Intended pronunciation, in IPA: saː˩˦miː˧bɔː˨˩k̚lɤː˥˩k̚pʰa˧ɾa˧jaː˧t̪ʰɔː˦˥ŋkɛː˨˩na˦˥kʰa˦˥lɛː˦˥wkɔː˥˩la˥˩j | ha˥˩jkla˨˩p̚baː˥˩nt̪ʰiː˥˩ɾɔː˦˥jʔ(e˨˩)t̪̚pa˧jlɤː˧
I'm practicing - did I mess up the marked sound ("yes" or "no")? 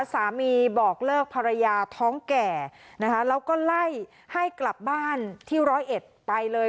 no